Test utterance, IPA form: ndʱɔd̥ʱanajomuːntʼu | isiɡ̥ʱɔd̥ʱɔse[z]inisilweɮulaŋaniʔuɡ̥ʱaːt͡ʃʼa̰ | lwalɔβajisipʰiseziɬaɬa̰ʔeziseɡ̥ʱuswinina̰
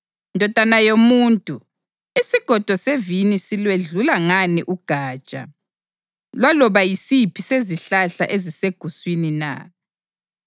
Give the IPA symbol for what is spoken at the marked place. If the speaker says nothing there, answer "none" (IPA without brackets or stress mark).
v